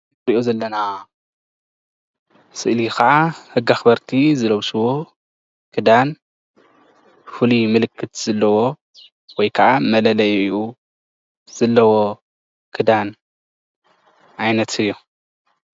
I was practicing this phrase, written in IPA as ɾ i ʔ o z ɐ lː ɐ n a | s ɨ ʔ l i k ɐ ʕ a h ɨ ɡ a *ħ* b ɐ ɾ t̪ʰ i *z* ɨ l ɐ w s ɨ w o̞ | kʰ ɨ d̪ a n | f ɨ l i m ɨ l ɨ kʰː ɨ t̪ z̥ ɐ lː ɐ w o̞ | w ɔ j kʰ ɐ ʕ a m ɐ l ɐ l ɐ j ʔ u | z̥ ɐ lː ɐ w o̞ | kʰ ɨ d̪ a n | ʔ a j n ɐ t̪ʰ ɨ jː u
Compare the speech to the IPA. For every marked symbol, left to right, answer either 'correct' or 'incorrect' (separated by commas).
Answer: incorrect, correct